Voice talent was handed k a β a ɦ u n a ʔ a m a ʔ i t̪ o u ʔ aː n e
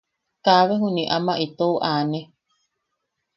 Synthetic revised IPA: k a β e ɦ u n i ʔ a m a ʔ i t̪ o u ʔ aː n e